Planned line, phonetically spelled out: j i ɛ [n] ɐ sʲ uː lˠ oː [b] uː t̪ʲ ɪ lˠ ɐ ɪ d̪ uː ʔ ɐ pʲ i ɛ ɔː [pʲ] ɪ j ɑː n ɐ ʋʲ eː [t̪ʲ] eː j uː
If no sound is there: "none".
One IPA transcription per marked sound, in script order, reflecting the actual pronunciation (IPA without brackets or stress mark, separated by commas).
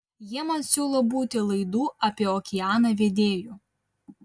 m, b, kʲ, d̪ʲ